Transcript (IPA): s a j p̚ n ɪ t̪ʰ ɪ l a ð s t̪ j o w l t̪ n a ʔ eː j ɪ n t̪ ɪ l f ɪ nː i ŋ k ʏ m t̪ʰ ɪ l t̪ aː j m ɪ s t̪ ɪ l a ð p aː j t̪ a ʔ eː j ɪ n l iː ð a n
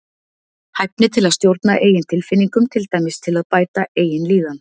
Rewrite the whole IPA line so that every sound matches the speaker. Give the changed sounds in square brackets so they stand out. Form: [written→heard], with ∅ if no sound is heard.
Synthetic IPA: [s→h] a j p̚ n ɪ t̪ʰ ɪ l a ð s t̪ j o w [l→ɾ] t̪ n a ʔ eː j ɪ n [t̪→t̪ʰ] ɪ l f ɪ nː i ŋ k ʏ m t̪ʰ ɪ l t̪ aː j m ɪ s [t̪→t̪ʰ] ɪ l a ð p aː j t̪ a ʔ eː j ɪ n l iː ð a n